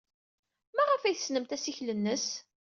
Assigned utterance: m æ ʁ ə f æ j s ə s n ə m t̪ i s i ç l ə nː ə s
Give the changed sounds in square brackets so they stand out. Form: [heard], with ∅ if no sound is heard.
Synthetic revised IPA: m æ ʁ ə f æ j [θ] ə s n ə m t̪ [æ] s i ç l ə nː ə s